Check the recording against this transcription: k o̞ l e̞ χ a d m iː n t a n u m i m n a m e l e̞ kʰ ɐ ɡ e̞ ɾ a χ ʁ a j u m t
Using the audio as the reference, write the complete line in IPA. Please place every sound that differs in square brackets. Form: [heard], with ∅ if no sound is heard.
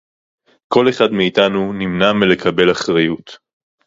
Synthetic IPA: k o̞ l e̞ χ a d m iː [∅] t a n u [n] i m n a m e l e̞ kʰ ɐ [b] e̞ [l] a χ ʁ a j u [∅] t